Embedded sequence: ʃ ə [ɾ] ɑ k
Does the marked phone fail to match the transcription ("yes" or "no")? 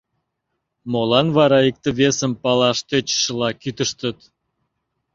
yes